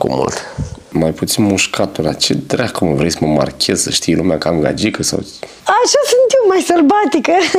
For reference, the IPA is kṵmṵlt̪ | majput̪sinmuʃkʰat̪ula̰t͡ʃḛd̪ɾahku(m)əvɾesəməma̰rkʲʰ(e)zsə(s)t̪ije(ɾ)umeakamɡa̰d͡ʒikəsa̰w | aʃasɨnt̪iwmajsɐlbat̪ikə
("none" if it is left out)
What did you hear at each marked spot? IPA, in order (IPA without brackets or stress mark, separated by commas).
m, e, ʃ, l